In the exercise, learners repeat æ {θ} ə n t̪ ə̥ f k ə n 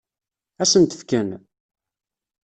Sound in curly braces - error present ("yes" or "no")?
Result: yes